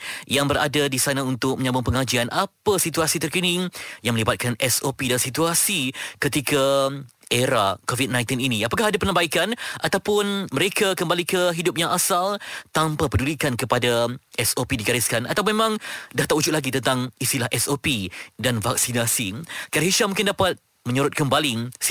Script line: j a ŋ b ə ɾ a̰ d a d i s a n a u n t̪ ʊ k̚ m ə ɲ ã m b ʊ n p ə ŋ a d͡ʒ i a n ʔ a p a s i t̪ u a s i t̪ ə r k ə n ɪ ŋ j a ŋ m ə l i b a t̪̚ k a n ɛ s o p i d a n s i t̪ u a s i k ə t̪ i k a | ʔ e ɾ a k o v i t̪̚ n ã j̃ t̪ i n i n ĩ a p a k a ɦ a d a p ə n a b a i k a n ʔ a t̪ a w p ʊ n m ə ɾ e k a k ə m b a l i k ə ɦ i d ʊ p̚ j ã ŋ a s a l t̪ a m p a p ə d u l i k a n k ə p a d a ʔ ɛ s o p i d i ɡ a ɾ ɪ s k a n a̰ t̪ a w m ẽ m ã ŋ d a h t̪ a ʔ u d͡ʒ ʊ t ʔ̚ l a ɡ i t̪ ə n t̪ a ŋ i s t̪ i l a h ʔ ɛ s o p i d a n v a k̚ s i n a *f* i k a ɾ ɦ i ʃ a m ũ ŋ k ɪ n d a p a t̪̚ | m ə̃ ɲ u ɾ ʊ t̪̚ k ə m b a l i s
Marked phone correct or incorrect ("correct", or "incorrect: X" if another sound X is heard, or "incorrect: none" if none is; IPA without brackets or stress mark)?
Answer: incorrect: s